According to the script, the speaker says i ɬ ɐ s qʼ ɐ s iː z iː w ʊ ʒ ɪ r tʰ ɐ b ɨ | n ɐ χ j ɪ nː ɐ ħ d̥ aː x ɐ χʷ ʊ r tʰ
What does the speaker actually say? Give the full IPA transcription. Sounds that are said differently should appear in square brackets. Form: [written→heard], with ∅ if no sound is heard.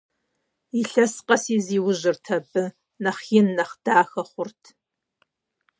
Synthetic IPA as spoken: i ɬ ɐ s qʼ ɐ s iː z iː w ʊ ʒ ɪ r tʰ ɐ b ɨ | n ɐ χ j ɪ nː ɐ [ħ→χ] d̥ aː x ɐ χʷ ʊ r tʰ